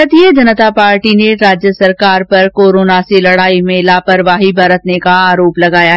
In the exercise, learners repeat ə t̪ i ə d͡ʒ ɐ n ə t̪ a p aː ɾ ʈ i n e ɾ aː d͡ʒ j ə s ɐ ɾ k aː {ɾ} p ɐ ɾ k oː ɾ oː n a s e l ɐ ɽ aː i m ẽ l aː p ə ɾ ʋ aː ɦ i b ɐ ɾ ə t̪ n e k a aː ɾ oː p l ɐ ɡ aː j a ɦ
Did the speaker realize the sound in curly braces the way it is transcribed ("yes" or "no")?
yes